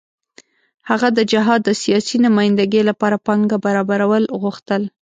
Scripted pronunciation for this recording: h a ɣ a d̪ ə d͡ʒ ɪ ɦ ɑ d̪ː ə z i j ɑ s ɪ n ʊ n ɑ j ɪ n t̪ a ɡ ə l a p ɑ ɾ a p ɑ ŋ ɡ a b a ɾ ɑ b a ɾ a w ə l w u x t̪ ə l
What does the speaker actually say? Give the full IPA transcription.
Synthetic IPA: h a ɣ a d̪ ə d͡ʒ ɪ ɦ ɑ d̪ː ə s i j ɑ s i n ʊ m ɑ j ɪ n d̪ a ɡ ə l a p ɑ ɾ a p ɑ ŋ ɡ a b a ɾ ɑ b a ɾ a w ə l ɣ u x t̪ ə l